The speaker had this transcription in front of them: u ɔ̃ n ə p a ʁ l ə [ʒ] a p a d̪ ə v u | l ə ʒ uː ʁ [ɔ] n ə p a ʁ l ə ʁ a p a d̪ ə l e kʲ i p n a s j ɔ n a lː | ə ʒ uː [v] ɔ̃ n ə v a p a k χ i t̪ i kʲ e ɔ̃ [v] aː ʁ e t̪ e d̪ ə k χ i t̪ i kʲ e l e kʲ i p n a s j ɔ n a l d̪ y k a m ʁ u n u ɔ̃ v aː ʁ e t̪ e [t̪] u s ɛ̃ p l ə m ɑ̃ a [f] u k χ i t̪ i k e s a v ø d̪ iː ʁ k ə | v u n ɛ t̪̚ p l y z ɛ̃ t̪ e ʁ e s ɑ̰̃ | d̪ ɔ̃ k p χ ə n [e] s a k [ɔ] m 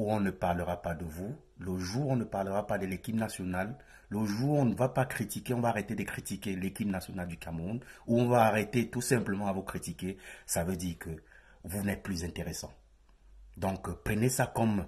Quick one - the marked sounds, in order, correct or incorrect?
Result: incorrect: ʁ, incorrect: ɔ̃, incorrect: ʁ, correct, correct, incorrect: v, correct, correct

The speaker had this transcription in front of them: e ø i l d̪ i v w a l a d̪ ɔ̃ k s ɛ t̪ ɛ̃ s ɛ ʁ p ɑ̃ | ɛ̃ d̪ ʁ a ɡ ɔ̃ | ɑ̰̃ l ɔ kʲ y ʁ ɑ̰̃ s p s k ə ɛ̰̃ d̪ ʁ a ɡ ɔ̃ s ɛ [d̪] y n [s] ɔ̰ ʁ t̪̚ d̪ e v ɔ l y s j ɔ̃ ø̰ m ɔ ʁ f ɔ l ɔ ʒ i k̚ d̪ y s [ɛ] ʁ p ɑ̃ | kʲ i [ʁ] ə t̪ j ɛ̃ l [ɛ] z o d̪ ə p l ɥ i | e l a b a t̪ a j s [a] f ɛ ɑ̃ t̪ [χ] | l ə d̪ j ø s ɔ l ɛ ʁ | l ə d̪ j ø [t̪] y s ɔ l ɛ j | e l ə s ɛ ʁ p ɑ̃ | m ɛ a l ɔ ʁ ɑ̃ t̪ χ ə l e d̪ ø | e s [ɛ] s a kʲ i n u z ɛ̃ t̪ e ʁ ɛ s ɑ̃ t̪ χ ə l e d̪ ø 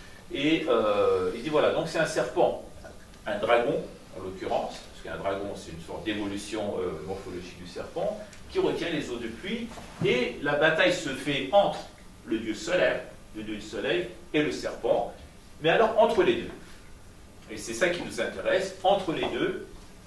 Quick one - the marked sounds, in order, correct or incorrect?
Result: incorrect: t̪, correct, correct, correct, incorrect: e, incorrect: ə, correct, incorrect: d̪, correct

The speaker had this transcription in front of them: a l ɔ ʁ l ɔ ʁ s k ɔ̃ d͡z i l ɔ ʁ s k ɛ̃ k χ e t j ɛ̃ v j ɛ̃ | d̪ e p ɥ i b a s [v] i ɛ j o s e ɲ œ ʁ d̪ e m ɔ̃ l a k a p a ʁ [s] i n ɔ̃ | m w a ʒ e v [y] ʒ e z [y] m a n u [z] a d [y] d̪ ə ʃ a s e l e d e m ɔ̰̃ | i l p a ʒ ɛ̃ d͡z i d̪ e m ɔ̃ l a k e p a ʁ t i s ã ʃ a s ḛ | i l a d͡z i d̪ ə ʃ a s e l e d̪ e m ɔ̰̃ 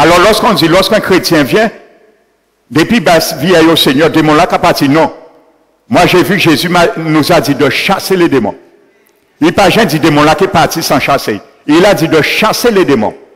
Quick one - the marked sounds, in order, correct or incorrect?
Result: correct, incorrect: t, correct, correct, correct, incorrect: i

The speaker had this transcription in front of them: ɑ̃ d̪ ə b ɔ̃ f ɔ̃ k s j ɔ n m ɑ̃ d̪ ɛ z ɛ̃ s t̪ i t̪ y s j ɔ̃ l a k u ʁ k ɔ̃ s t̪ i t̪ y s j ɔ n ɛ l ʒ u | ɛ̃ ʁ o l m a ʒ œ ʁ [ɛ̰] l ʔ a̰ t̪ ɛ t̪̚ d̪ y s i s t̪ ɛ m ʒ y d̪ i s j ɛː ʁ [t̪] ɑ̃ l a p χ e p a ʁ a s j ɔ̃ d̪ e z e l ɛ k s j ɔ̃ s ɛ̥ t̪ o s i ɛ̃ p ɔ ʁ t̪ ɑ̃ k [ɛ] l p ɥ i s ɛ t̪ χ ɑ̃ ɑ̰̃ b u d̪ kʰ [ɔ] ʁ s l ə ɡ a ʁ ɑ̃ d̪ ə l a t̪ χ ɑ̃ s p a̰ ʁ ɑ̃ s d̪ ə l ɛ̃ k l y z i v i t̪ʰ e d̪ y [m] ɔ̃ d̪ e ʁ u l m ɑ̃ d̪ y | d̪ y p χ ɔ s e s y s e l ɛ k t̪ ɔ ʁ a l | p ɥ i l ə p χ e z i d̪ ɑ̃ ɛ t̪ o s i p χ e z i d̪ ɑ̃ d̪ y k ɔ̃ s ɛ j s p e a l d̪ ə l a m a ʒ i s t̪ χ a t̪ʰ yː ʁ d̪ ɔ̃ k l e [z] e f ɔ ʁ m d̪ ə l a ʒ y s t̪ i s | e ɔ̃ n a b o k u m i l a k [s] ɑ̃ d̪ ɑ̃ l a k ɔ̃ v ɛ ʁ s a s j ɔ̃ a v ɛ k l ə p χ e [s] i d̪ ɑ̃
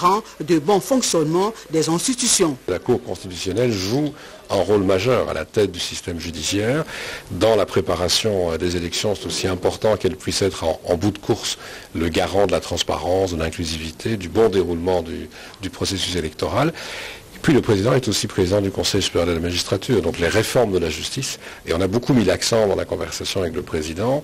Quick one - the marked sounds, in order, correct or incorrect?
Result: incorrect: a̰, incorrect: d̪, correct, incorrect: u, incorrect: b, incorrect: ʁ, correct, incorrect: z

